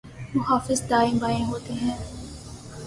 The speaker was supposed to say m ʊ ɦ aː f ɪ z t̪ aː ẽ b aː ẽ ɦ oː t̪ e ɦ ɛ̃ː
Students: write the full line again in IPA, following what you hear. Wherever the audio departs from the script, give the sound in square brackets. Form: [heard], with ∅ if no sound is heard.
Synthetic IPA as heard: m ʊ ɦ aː f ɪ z [d̪] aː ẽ b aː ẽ ɦ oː t̪ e ɦ ɛ̃ː